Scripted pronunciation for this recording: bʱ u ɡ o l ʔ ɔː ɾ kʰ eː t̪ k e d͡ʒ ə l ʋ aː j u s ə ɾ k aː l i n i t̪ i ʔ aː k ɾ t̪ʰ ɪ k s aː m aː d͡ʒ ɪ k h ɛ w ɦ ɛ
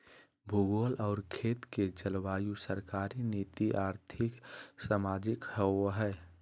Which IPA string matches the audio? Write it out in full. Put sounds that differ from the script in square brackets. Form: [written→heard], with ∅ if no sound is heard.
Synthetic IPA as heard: bʱ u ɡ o l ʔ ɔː ɾ kʰ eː t̪ k e d͡ʒ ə l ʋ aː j u s ə ɾ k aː [l→ɾ] i n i t̪ i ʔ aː [k→∅] ɾ t̪ʰ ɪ k s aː m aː d͡ʒ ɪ k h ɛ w ɦ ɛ